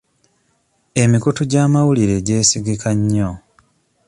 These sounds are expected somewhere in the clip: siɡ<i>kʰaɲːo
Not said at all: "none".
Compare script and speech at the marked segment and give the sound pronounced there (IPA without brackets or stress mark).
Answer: i